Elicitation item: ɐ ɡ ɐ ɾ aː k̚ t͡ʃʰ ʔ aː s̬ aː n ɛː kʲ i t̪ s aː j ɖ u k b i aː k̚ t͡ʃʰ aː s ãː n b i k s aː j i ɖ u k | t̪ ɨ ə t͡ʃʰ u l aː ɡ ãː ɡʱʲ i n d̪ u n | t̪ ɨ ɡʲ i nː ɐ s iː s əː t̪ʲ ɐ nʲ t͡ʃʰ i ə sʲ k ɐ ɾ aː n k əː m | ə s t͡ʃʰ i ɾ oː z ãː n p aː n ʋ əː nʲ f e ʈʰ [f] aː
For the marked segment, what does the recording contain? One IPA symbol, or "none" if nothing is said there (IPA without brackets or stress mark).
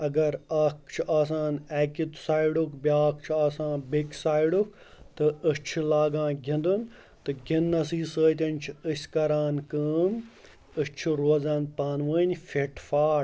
f